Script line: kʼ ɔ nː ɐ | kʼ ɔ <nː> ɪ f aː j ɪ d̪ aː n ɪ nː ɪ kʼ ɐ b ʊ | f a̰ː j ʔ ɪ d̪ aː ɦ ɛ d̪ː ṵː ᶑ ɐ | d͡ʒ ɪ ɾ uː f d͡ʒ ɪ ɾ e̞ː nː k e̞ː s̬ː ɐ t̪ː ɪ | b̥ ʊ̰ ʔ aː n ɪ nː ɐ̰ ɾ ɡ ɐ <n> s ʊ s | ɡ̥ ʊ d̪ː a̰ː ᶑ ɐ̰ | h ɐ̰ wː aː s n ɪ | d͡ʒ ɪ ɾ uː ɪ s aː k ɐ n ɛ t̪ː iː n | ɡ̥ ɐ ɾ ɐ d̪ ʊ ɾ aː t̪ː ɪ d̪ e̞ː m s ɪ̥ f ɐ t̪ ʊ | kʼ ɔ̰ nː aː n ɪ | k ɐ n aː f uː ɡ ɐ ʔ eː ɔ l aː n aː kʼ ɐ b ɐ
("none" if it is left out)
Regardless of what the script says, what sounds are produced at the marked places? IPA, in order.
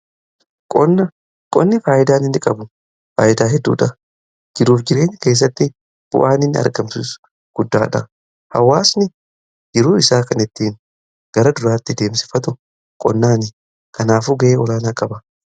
nː, m

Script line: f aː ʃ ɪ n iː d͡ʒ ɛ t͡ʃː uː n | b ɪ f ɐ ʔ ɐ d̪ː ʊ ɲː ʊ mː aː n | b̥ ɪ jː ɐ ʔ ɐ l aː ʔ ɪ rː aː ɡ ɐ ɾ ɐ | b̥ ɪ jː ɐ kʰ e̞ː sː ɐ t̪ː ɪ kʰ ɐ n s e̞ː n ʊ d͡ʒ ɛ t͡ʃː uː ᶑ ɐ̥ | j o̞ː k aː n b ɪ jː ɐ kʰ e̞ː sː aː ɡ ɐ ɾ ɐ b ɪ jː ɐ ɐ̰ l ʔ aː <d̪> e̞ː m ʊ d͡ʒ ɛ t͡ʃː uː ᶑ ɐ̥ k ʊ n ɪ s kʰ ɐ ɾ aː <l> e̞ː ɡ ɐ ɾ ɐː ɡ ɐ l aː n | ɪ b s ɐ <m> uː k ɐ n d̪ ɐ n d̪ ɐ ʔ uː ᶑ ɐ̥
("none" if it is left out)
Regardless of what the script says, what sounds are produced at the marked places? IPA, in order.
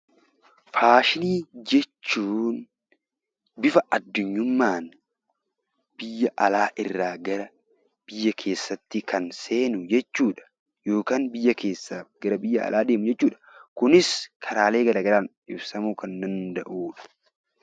d̪, l, m

